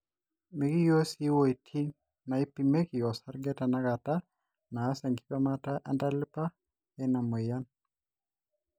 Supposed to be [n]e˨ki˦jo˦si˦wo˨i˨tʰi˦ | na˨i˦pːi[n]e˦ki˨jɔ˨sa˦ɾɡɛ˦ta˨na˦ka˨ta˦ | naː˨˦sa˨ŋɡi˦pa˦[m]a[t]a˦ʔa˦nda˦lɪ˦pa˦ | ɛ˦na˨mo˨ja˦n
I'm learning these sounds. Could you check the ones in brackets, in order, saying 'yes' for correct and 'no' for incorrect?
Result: no, no, yes, yes

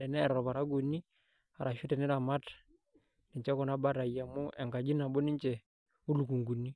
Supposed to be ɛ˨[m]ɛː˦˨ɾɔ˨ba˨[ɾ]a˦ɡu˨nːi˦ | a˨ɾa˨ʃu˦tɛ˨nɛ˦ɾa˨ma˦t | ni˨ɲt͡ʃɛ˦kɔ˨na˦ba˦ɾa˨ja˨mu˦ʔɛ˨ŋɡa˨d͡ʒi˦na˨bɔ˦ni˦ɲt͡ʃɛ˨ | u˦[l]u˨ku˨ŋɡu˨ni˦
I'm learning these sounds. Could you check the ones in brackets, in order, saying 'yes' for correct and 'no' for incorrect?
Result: no, yes, yes

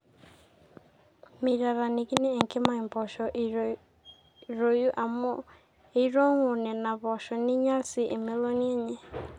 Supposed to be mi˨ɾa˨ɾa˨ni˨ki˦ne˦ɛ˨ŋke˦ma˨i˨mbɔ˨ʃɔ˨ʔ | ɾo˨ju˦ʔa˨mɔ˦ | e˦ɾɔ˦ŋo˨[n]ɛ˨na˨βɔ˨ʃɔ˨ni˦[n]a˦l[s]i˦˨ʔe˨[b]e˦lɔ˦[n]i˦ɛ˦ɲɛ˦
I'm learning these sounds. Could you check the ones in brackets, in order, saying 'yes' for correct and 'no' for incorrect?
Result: yes, no, yes, no, yes

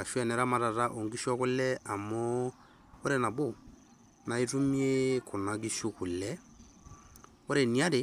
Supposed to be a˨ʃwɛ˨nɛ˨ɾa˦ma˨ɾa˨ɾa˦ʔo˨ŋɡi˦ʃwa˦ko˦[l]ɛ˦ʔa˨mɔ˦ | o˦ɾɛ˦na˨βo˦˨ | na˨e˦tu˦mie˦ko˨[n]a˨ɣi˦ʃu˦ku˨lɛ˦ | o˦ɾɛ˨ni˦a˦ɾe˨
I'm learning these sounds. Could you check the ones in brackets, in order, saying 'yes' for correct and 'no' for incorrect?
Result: yes, yes

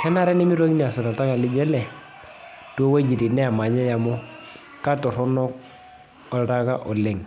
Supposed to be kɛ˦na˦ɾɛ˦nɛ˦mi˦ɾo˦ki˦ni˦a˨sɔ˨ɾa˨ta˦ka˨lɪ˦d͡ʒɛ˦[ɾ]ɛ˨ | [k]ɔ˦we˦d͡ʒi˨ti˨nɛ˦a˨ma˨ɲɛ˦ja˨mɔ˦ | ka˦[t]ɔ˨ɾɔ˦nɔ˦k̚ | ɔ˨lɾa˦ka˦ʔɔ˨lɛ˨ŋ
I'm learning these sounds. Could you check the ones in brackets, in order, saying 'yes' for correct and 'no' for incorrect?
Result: no, no, yes

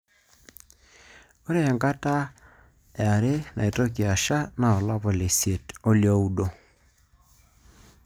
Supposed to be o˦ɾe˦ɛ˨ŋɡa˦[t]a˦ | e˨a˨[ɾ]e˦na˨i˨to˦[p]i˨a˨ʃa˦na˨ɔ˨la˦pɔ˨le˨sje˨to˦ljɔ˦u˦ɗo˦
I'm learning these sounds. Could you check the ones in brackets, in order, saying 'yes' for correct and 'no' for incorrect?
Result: yes, yes, no

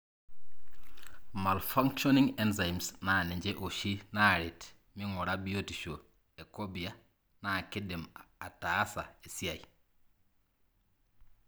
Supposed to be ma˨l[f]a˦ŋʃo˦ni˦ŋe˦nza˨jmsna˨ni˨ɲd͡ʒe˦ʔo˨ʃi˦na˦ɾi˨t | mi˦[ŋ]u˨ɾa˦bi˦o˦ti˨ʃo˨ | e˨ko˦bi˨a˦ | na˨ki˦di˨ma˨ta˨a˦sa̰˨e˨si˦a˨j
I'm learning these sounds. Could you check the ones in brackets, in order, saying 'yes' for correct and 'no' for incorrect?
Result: yes, yes

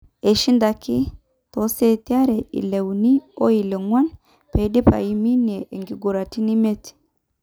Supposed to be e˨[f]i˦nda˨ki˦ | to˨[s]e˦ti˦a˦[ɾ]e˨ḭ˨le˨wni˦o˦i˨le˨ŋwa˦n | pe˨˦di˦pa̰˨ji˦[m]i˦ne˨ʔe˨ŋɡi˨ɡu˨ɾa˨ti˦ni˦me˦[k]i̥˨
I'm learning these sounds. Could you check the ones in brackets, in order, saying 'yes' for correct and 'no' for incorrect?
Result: no, yes, yes, yes, no

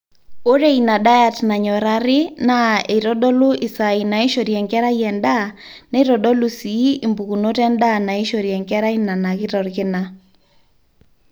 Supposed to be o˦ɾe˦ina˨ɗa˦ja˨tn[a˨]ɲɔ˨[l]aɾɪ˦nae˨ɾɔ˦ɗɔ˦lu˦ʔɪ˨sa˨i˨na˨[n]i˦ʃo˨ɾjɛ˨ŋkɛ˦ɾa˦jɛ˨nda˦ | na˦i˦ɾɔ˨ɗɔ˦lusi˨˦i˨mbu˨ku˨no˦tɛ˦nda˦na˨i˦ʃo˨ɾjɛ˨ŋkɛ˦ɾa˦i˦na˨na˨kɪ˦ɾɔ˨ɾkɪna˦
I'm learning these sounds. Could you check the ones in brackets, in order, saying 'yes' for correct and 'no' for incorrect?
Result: yes, no, no

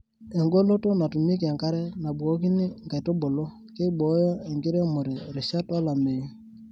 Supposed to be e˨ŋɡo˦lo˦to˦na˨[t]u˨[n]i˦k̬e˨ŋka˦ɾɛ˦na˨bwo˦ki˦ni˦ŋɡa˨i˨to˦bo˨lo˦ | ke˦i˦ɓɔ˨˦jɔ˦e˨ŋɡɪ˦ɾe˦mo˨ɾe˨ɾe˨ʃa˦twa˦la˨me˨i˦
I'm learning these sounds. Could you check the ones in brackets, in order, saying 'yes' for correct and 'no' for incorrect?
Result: yes, no

